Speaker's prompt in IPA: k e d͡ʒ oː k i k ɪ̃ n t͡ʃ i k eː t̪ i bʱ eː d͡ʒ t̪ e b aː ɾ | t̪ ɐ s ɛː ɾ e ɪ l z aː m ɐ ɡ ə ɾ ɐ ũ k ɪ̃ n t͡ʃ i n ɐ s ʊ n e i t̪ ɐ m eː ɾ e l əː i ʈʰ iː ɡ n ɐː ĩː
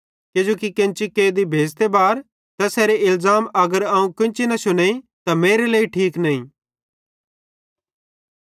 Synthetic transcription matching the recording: k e d͡ʒ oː k i k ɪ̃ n t͡ʃ i k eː d̪ i bʱ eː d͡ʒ t̪ e b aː ɾ | t̪ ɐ s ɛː ɾ e ɪ l z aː m ɐ ɡ ə ɾ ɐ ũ k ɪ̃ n t͡ʃ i n ɐ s ʊ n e i t̪ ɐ m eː ɾ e l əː i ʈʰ iː k n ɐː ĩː

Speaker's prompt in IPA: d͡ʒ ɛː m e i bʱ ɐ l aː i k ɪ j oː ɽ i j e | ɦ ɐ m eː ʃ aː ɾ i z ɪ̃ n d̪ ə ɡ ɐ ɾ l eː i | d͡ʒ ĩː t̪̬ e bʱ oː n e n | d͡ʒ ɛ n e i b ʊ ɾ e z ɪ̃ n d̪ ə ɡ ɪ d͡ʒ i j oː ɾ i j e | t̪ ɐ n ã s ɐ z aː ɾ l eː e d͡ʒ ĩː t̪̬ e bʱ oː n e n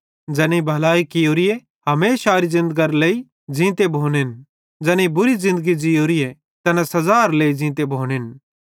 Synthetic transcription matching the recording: d͡ʒ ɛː n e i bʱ ɐ l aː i k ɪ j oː ɾ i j e | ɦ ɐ m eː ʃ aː ɾ i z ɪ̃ n d̪ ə ɡ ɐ ɾ l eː i | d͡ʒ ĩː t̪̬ e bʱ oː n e n | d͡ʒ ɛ n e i b ʊ ɾ i z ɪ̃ n d̪ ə ɡ i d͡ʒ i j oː ɾ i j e | t̪ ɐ n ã s ɐ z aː ɾ l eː i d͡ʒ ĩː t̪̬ e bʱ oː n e n

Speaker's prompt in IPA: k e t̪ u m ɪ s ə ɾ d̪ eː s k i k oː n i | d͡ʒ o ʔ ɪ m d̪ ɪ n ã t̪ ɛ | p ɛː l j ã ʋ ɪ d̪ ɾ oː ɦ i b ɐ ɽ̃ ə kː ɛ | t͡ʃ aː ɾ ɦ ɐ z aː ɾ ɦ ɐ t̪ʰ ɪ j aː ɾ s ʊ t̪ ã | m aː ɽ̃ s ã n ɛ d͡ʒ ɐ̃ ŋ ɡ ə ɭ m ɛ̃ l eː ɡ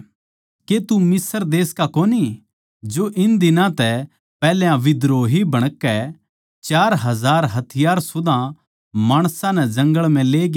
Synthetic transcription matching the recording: k e t̪ u m ɪ s ə ɾ d̪ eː s k a k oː n i | d͡ʒ o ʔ ɪ n d̪ ɪ n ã t̪ ɛ | p ɛː l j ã ʋ ɪ d̪ ɾ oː ɦ i b ɐ ɽ̃ ə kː ɛ | t͡ʃ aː ɾ ɦ ɐ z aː ɾ ɦ ɐ t̪ʰ ɪ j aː ɾ s ʊ d̪ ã | m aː ɽ̃ s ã n ɛ d͡ʒ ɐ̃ ŋ ɡ ə ɭ m ɛ̃ l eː ɡ

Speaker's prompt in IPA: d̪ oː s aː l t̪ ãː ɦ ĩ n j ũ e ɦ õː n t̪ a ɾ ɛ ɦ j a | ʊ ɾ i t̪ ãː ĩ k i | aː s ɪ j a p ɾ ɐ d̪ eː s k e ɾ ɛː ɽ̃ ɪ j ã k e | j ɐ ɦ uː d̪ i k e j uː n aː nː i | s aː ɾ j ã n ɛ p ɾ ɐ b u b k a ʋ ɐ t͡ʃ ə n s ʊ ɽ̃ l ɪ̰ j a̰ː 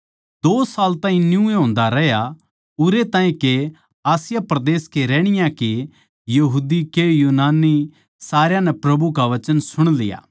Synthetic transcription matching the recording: d̪ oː s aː l t̪ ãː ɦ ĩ n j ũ e ɦ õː n d̪ a ɾ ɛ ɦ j a | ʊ ɾ e t̪ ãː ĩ k e | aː s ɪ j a p ɾ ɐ d̪ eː s k e ɾ ɛː ɽ̃ ɪ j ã k e | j ɐ ɦ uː d̪ i k e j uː n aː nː i | s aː ɾ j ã n ɛ p ɾ ɐ b u k a ʋ ɐ t͡ʃ ə n s ʊ ɽ̃ l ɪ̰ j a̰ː

